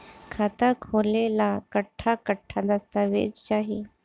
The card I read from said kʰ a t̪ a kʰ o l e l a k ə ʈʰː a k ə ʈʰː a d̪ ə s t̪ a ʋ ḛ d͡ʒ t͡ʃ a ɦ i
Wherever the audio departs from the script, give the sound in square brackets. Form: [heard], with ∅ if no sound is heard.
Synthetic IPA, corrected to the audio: kʰ a t̪ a kʰ o l e l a k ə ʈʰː a k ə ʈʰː a d̪ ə s t̪ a ʋ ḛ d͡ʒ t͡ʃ a ɦ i